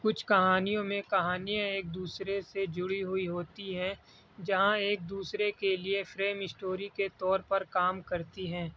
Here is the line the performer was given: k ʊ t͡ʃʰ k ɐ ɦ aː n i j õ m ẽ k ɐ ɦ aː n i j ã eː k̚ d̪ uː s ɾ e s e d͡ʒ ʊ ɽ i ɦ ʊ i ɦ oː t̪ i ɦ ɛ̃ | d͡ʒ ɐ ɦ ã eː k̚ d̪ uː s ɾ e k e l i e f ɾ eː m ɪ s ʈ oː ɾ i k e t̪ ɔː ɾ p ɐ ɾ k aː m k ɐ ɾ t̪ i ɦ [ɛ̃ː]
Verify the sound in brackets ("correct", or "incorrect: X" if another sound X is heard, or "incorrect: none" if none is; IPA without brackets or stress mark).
correct